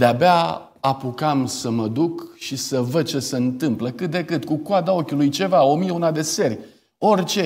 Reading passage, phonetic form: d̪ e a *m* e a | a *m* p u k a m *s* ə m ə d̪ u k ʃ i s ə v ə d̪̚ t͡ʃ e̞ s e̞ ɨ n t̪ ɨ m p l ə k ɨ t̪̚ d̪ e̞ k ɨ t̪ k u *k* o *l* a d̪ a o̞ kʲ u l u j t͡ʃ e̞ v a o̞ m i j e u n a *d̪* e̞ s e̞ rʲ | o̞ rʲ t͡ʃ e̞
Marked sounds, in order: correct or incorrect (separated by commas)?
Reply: incorrect, incorrect, correct, correct, incorrect, correct